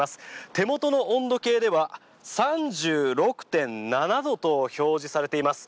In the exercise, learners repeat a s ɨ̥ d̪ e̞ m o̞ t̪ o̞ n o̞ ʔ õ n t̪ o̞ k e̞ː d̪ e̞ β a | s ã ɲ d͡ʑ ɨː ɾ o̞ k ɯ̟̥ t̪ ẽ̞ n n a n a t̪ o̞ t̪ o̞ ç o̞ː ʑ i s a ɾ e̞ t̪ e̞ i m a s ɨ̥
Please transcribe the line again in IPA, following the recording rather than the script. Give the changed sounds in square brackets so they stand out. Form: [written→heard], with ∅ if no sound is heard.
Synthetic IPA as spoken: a s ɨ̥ [d̪→t̪] e̞ m o̞ t̪ o̞ n o̞ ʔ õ n [t̪→d̪] o̞ k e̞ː d̪ e̞ β a | s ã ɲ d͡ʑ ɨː ɾ o̞ k ɯ̟̥ t̪ ẽ̞ n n a n a [t̪→d̪] o̞ t̪ o̞ ç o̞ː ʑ i s a ɾ e̞ t̪ e̞ i m a s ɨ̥